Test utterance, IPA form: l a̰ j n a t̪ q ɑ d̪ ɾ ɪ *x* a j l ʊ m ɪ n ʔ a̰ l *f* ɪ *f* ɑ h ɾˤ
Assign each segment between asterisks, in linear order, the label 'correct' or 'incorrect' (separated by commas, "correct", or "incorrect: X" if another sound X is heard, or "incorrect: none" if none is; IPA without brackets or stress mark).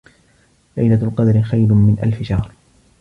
correct, correct, incorrect: ʃ